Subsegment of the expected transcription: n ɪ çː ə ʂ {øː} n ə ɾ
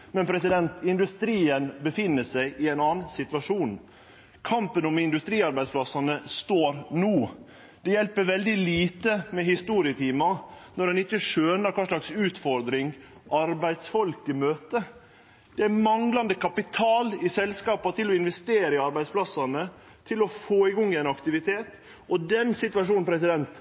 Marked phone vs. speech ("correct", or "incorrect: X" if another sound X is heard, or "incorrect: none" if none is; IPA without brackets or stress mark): correct